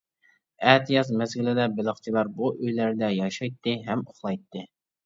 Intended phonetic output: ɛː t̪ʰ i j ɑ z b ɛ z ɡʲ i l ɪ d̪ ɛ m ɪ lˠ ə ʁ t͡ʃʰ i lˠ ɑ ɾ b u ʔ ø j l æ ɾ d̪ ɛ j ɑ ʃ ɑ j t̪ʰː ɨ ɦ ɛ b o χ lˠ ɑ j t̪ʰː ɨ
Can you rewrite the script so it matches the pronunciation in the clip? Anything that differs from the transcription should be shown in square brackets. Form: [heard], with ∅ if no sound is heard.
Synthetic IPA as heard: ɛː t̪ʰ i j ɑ z [m] ɛ z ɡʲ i l ɪ d̪ ɛ [b] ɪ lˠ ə [χ] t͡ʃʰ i lˠ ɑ ɾ b u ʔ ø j l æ ɾ d̪ ɛ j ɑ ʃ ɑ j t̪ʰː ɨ ɦ ɛ [m] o χ lˠ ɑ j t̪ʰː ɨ